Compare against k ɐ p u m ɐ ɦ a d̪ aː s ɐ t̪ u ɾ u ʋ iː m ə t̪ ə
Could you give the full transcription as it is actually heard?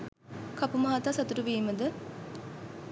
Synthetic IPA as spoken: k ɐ p u m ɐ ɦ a t̪ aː s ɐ t̪ u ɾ u ʋ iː m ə d̪ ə